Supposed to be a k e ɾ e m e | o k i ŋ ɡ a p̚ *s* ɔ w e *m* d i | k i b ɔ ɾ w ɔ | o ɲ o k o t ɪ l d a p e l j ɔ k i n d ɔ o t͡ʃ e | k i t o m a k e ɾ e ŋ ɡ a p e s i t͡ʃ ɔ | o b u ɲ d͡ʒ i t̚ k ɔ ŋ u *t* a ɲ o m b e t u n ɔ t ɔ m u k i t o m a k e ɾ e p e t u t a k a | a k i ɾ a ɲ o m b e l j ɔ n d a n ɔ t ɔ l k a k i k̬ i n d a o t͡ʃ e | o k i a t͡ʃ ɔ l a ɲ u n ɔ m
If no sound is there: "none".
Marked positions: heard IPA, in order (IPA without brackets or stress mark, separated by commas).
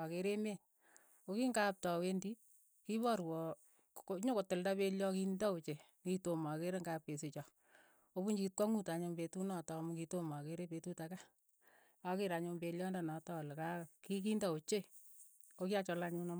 t, n, t